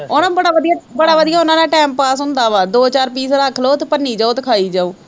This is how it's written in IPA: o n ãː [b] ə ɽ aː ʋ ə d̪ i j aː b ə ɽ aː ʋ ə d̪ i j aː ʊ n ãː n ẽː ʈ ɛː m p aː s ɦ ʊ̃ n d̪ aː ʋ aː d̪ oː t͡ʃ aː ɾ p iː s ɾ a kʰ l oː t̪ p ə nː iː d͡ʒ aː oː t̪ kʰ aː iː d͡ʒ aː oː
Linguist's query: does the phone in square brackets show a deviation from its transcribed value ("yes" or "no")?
no